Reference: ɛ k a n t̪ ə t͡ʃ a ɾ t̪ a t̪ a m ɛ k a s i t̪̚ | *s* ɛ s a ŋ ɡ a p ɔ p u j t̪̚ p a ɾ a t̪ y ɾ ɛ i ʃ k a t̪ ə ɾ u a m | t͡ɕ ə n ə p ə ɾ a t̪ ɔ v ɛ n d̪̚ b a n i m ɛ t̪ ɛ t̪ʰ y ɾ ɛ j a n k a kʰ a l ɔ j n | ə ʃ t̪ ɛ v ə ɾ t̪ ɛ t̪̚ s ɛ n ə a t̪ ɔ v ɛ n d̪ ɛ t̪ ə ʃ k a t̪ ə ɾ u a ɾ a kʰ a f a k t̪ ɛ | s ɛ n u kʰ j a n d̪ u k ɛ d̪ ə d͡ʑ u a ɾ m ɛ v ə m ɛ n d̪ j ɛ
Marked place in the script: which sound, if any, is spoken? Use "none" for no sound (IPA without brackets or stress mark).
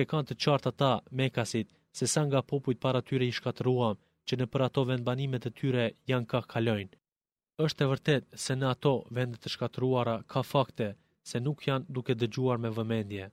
s